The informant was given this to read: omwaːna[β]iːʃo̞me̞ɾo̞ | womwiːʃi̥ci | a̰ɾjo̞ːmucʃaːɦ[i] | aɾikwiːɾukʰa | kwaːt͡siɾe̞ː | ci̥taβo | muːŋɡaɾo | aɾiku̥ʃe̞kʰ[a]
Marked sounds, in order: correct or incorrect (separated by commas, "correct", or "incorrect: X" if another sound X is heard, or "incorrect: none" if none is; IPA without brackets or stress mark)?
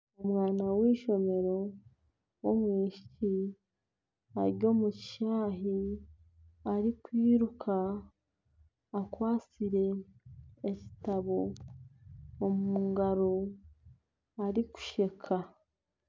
incorrect: w, correct, correct